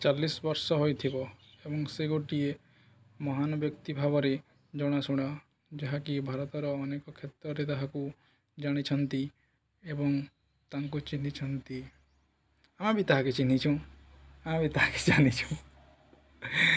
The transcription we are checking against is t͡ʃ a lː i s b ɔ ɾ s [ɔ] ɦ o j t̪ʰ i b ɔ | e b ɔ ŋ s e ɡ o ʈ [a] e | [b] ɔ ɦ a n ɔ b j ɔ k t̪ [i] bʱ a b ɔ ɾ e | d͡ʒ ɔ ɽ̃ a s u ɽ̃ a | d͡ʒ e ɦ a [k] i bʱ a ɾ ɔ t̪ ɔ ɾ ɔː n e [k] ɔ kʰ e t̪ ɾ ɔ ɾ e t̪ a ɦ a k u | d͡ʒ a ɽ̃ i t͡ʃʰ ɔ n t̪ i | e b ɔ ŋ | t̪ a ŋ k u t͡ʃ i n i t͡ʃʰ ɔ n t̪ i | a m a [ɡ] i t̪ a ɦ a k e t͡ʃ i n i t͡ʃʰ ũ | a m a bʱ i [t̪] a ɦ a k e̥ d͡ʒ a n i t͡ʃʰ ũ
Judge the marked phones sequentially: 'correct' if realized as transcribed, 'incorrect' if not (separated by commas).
correct, incorrect, incorrect, correct, correct, correct, incorrect, correct